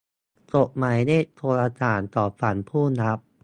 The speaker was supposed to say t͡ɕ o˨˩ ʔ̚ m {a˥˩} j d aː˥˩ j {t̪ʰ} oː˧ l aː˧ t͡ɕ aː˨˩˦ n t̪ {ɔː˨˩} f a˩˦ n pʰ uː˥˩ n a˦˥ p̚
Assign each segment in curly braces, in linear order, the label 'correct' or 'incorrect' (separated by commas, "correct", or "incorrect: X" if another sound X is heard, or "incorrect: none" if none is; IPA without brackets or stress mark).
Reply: incorrect: a˨˦, correct, correct